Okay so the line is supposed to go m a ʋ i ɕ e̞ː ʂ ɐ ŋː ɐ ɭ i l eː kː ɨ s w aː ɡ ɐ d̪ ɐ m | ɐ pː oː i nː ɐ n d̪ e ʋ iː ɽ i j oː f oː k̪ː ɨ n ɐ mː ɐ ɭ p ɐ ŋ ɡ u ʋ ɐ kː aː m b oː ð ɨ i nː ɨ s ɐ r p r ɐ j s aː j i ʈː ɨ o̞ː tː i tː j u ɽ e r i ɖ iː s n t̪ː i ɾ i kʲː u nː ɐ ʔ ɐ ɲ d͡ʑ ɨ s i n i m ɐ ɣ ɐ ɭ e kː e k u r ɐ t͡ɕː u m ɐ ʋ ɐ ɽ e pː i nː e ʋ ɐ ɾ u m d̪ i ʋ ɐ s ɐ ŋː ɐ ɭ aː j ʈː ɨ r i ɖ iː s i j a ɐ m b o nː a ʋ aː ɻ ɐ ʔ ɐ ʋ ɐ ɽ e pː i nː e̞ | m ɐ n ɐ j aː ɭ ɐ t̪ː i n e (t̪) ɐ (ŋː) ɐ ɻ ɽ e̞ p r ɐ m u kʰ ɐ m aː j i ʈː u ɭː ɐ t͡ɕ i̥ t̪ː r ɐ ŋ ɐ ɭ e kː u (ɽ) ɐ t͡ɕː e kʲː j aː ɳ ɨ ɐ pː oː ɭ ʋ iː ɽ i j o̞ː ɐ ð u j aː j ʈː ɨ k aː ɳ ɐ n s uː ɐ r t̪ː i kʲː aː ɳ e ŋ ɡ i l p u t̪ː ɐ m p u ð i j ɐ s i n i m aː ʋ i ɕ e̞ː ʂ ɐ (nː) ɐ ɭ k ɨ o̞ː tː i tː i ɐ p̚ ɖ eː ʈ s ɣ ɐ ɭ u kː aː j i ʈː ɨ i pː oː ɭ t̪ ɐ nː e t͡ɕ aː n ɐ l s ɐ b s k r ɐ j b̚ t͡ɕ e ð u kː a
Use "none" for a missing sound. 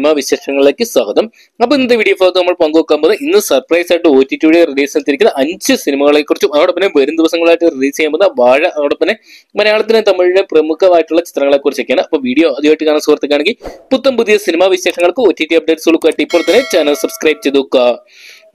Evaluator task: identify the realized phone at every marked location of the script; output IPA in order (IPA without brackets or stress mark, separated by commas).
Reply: t̪, mː, r, ŋː